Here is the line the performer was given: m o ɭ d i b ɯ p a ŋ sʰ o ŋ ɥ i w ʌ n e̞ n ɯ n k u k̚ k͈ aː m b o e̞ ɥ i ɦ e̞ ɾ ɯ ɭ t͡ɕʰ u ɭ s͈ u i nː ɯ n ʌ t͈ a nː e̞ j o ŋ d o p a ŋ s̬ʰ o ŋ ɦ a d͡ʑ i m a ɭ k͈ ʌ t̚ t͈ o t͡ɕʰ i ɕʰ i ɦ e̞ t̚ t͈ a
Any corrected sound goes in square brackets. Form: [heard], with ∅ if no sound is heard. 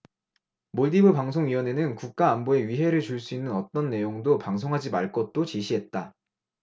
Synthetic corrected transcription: m o ɭ d i b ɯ p a ŋ sʰ o ŋ ɥ i w ʌ n e̞ n ɯ n k u k̚ k͈ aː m b o e̞ ɥ i ɦ e̞ ɾ ɯ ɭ [t͡ɕ] u ɭ s͈ u i nː ɯ n ʌ t͈ [ʌ] nː e̞ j o ŋ d o p a ŋ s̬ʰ o ŋ ɦ a d͡ʑ i m a ɭ k͈ ʌ t̚ t͈ o [t͡ɕ] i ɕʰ i ɦ e̞ t̚ t͈ a